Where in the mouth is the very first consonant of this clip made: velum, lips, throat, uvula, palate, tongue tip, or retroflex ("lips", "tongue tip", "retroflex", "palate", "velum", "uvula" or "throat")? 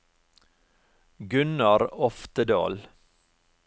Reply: velum